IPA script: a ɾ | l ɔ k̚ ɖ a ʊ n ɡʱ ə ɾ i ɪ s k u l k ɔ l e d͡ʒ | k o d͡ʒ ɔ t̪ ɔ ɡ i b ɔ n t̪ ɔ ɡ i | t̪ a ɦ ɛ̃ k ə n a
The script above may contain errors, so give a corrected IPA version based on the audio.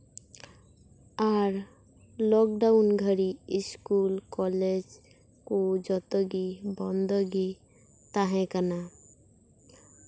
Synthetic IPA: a ɾ | l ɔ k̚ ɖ a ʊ n ɡʱ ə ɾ i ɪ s k u l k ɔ l e d͡ʒ | k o d͡ʒ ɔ t̪ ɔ ɡ i b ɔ n d̪ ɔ ɡ i | t̪ a ɦ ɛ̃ k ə n a